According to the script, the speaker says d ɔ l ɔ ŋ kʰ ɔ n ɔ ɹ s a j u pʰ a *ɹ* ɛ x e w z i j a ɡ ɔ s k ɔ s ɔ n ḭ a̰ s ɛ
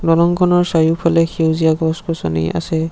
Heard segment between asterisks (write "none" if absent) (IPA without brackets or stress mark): l